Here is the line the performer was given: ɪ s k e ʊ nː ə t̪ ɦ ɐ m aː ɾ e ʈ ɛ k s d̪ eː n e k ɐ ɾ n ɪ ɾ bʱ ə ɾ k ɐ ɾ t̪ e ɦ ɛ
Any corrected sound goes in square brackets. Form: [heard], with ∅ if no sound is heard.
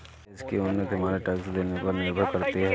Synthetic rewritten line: ɪ s k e ʊ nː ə t̪ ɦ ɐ m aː ɾ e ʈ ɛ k s d̪ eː n e [p] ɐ ɾ n ɪ ɾ bʱ ə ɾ k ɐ ɾ t̪ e ɦ ɛ